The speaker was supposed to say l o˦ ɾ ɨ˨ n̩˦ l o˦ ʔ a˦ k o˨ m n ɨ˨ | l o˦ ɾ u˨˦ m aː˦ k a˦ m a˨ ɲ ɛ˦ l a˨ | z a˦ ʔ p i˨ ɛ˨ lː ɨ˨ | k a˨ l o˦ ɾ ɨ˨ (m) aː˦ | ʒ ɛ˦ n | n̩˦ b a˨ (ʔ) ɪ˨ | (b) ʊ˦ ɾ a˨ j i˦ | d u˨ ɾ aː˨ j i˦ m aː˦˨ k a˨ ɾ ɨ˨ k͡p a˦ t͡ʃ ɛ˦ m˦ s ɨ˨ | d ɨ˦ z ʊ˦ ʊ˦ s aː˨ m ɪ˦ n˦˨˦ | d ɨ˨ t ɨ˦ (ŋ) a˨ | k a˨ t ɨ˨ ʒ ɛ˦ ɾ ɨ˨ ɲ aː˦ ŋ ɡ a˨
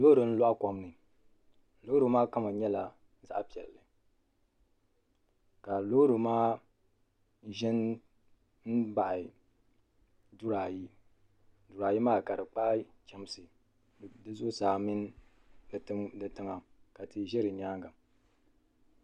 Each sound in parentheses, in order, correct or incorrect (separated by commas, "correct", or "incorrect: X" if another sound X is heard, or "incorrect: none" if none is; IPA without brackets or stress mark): correct, correct, incorrect: d, correct